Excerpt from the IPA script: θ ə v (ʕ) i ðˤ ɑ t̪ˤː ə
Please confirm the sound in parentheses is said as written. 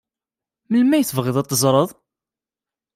no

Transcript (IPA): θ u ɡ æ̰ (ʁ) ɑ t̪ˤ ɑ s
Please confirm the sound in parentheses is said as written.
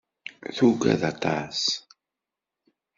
no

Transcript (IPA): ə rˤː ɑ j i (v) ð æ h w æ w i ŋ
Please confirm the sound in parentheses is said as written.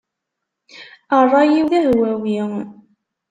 no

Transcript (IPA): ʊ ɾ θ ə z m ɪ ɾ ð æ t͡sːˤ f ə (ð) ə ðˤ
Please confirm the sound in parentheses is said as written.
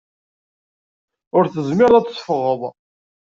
no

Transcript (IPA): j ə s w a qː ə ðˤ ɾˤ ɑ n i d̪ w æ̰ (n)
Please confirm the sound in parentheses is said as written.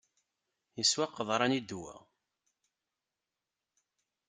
no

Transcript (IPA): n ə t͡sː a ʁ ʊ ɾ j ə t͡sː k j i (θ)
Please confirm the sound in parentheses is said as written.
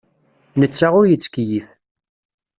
yes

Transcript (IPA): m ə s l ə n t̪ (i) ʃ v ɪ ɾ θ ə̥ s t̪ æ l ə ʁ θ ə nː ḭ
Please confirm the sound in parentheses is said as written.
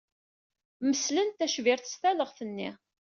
no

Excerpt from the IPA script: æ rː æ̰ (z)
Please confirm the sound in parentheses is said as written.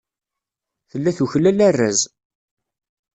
yes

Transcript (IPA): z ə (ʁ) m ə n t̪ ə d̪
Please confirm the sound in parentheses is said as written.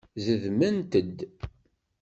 no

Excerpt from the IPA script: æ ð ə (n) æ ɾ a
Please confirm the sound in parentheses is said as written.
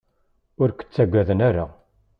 yes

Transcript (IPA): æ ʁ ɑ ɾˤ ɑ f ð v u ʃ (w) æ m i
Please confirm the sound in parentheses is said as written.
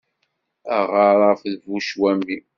yes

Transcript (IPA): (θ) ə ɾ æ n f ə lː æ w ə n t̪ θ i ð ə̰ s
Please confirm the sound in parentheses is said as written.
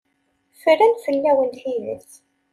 no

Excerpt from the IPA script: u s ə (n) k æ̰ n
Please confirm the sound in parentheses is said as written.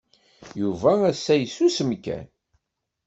no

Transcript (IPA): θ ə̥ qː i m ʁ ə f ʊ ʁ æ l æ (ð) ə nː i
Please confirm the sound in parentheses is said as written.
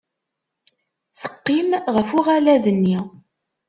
yes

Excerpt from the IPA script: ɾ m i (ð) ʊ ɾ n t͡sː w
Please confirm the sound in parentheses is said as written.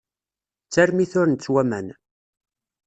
no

